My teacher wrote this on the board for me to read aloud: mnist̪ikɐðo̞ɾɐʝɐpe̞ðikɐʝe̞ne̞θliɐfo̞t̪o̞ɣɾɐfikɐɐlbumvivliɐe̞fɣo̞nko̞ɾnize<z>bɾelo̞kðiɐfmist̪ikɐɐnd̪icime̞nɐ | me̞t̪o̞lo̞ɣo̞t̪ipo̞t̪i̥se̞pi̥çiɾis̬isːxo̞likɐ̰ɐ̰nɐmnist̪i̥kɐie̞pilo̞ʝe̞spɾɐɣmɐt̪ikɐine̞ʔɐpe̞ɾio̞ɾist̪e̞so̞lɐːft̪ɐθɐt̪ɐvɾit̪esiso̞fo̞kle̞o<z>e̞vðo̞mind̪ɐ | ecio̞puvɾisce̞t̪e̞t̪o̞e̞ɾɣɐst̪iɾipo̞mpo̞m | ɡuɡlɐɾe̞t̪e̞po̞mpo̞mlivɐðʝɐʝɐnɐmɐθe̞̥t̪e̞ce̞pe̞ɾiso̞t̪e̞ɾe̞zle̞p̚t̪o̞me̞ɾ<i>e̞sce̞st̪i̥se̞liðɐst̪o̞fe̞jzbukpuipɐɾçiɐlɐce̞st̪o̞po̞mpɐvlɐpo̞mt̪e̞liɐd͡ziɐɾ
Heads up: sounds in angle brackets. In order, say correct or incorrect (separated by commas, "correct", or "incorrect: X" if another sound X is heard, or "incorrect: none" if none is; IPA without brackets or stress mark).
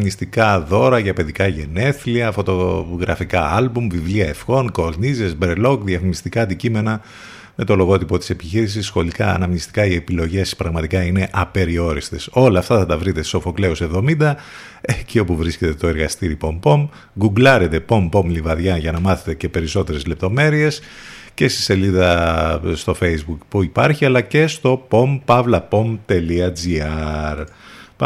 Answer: correct, incorrect: s, correct